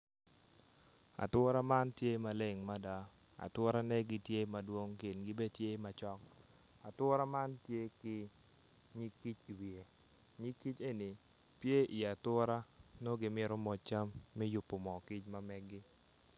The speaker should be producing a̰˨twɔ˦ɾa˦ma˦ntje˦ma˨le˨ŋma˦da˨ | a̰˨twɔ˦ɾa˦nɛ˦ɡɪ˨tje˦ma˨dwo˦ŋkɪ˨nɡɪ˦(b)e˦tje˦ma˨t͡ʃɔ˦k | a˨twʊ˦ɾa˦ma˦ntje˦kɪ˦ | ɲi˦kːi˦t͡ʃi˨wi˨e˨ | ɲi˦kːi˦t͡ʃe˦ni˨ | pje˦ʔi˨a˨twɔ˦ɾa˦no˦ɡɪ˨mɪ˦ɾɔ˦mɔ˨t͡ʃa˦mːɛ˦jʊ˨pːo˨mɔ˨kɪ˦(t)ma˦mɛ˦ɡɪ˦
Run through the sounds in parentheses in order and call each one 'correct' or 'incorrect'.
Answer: correct, incorrect

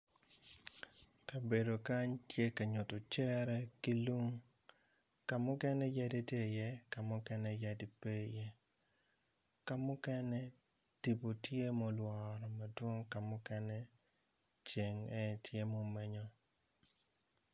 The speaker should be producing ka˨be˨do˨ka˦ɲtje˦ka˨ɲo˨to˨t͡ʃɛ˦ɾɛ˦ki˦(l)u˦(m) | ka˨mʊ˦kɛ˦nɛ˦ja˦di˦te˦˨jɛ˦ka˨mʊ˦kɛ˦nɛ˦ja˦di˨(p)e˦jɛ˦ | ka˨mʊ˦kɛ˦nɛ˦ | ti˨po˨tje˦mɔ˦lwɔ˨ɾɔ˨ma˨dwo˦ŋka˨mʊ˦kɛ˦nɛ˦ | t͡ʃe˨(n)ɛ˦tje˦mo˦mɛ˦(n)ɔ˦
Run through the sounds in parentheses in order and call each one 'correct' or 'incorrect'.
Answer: correct, incorrect, correct, incorrect, incorrect

